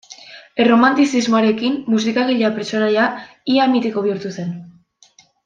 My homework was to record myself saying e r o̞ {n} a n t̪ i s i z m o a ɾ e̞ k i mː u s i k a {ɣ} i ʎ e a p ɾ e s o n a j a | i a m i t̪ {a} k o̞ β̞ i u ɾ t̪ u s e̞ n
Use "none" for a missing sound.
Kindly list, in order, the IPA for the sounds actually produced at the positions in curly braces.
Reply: m, ɣ, i

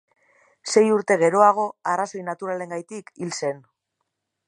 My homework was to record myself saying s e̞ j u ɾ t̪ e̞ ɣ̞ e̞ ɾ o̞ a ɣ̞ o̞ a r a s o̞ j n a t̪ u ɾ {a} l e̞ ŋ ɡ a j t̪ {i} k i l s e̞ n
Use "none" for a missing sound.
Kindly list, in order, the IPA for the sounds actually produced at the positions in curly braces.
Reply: a, i

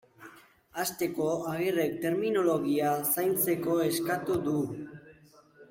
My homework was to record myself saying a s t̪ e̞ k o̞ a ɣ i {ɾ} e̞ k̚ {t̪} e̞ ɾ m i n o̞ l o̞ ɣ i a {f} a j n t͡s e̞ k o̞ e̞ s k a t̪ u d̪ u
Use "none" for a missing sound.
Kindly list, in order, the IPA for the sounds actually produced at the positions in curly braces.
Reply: r, t̪, s

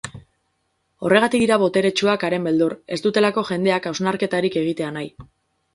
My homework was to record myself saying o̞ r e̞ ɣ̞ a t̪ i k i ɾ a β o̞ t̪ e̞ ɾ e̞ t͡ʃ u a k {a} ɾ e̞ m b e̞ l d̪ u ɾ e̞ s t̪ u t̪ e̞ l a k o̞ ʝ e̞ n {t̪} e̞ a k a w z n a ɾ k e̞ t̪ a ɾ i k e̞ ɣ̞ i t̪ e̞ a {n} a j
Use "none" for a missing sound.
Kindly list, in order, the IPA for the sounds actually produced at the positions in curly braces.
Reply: a, d̪, n

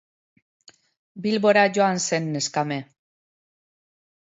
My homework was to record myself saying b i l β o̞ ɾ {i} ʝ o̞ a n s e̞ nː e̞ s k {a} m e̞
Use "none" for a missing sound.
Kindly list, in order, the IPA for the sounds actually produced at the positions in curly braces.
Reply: a, a

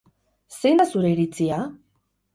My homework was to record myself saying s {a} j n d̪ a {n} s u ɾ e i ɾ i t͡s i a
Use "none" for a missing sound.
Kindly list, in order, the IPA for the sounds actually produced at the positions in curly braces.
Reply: e, none

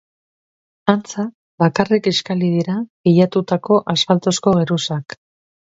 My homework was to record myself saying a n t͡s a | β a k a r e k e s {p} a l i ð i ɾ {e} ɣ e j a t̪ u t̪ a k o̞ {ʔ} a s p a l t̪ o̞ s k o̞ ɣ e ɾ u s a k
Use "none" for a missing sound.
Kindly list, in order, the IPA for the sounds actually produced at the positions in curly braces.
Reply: k, a, ʔ

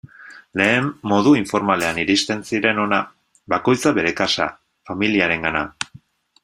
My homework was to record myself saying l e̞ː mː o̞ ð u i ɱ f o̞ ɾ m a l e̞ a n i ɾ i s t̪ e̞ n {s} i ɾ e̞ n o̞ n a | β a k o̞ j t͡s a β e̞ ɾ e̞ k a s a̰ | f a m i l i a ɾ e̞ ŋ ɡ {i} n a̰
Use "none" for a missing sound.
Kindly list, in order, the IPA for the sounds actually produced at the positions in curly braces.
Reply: s, a

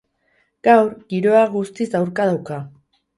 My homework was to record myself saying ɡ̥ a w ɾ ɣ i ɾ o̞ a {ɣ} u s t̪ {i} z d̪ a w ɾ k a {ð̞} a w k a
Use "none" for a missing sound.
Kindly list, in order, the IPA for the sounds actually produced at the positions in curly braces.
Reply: ɣ, i, ð̞

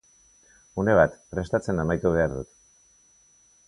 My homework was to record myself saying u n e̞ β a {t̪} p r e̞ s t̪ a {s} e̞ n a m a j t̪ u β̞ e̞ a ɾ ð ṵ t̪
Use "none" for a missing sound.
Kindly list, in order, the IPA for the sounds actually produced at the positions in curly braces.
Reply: t̪, t͡s

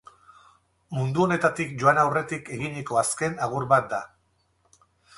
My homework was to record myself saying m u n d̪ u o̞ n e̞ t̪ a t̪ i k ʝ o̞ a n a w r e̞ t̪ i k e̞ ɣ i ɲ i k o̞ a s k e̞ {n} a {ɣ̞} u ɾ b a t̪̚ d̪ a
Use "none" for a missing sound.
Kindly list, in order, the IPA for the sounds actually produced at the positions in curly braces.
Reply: n, ɣ̞

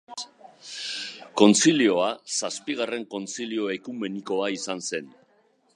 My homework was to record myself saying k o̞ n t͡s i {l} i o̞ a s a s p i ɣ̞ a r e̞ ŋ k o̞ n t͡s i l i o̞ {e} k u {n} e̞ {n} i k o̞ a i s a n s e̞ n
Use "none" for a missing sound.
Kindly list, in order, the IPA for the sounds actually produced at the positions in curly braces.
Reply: l, e, m, n

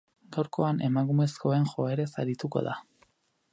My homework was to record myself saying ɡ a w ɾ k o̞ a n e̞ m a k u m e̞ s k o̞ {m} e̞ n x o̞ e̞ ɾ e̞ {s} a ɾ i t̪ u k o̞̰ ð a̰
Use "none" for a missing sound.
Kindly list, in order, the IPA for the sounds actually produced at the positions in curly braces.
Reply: none, s

